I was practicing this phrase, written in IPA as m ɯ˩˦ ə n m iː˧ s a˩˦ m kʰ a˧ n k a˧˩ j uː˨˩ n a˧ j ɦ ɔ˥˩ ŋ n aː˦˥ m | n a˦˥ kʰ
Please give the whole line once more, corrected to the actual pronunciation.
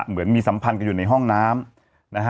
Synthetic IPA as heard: m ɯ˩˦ ə n m iː˧ s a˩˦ m pʰ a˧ n k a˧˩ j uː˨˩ n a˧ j ɦ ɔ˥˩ ŋ n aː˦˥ m | n a˦˥ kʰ